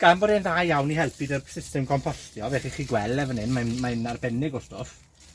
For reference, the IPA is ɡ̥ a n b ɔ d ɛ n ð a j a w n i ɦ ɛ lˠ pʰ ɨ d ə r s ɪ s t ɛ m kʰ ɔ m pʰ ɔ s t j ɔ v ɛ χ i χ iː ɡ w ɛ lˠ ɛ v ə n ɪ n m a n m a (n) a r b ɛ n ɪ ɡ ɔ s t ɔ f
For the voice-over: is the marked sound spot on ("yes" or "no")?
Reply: yes